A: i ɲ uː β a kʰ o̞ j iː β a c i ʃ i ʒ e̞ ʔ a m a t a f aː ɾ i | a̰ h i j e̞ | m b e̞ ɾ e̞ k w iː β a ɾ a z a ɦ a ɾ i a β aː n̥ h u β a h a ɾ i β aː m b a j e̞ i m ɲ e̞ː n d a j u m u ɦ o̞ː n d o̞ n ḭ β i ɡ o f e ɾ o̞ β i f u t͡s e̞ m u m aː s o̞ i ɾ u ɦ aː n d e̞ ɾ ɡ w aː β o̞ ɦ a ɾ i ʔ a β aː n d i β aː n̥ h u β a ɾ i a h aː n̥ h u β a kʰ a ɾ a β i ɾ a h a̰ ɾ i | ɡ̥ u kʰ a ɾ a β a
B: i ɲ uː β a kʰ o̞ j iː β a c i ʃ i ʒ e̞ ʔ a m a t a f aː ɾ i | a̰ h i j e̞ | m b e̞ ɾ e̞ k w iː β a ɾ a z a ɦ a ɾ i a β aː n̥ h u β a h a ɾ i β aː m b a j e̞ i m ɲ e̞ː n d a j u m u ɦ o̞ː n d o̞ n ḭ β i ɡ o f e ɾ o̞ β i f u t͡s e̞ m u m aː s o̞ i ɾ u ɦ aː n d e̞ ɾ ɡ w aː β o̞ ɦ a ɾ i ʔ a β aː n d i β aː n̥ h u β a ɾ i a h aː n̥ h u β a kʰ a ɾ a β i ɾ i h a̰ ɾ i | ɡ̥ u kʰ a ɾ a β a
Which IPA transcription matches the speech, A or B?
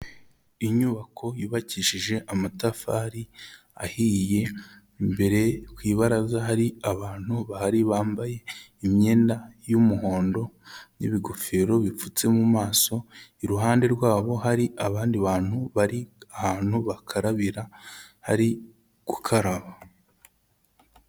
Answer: A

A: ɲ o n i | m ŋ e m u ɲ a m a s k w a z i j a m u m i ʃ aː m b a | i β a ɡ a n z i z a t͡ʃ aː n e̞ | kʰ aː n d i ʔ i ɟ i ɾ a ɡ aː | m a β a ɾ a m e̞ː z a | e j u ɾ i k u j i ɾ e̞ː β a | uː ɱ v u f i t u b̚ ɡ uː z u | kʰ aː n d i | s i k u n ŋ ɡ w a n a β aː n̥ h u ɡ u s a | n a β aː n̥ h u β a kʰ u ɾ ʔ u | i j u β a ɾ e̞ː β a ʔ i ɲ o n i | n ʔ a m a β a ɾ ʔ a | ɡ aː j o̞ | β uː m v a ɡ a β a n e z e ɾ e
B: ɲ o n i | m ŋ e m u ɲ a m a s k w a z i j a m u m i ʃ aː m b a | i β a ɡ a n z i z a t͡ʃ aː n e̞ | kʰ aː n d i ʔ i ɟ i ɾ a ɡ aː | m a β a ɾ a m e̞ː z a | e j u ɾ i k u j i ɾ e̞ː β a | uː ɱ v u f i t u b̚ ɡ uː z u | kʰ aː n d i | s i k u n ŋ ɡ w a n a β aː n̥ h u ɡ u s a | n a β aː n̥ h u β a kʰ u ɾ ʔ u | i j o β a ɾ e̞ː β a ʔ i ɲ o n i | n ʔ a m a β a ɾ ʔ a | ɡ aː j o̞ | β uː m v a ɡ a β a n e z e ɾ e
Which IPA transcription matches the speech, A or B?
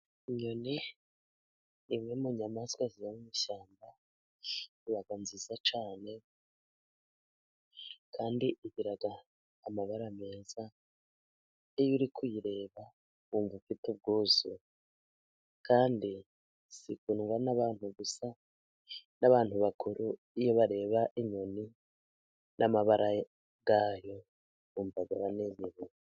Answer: B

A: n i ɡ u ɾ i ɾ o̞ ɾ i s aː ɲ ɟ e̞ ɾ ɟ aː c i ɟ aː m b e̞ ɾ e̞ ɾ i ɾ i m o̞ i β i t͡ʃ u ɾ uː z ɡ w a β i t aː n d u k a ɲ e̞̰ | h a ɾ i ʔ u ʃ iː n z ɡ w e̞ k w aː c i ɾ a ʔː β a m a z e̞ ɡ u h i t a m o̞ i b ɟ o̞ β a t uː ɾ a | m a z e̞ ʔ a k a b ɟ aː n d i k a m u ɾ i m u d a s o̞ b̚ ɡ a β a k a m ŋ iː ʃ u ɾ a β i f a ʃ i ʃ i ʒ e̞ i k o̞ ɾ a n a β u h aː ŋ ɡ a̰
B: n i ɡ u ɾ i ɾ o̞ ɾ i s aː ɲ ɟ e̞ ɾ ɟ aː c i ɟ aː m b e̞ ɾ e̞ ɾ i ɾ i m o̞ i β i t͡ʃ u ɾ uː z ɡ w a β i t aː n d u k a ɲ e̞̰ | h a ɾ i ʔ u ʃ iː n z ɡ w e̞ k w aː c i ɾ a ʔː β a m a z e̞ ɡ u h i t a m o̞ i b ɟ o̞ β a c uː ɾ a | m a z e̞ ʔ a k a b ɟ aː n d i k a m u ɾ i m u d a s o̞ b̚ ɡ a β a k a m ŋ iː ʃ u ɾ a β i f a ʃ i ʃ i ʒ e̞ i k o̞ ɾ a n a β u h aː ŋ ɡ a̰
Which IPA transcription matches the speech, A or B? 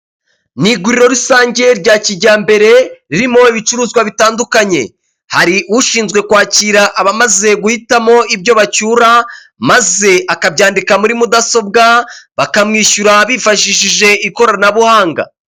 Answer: B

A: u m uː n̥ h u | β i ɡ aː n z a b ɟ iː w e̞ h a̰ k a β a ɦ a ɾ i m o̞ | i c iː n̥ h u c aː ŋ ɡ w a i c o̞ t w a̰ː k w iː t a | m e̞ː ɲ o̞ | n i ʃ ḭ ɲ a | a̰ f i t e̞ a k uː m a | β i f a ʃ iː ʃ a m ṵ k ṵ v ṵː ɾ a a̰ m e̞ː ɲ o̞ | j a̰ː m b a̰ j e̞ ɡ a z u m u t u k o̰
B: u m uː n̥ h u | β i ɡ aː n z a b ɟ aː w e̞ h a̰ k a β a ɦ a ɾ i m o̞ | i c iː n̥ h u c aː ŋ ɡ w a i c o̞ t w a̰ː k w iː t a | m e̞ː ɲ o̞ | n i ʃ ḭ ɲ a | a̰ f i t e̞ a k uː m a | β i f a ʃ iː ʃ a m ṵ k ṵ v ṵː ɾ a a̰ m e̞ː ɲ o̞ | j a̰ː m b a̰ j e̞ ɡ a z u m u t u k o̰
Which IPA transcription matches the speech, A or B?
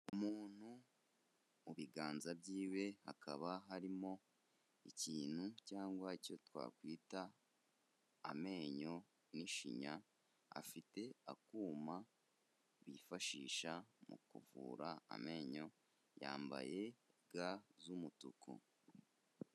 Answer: A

